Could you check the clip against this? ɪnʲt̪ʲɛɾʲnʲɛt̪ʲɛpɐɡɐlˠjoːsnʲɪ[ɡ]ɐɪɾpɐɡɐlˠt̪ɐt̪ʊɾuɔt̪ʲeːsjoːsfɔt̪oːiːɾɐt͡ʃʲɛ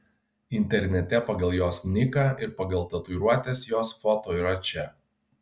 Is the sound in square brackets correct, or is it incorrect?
incorrect